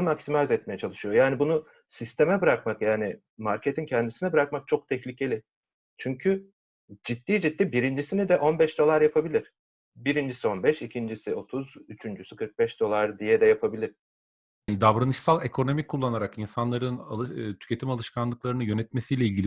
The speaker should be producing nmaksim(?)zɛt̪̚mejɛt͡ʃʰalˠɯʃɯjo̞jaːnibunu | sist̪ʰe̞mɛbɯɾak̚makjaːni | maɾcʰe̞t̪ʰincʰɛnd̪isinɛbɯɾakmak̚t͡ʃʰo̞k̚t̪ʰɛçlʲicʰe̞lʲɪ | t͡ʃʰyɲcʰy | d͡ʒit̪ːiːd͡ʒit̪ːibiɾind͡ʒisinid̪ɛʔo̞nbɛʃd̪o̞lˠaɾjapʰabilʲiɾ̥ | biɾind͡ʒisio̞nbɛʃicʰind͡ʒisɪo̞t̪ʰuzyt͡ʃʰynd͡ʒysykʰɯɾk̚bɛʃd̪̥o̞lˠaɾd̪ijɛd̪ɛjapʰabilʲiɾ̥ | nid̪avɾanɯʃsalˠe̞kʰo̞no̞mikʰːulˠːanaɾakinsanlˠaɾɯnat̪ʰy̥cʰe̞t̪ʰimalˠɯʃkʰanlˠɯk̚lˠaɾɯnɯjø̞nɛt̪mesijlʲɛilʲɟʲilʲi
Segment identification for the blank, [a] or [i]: a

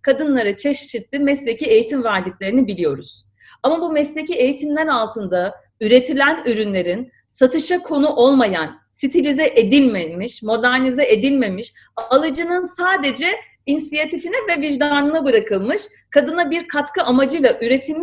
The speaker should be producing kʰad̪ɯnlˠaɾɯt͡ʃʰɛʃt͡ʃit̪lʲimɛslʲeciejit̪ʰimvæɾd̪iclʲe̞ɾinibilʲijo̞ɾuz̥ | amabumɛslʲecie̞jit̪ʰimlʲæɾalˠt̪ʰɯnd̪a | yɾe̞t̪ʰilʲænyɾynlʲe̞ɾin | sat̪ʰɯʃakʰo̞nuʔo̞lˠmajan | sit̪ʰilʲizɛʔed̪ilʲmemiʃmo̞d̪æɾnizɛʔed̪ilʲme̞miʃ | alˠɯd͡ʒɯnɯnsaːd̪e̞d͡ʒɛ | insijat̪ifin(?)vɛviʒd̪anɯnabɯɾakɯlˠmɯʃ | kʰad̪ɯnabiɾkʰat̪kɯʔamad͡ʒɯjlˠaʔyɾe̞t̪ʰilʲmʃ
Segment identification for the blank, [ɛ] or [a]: ɛ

